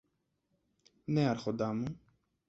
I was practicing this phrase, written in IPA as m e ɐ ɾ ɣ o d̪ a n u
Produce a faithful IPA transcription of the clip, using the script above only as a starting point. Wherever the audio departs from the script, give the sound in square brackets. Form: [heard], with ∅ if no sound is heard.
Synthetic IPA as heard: [n] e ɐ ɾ [x] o d̪ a [m] u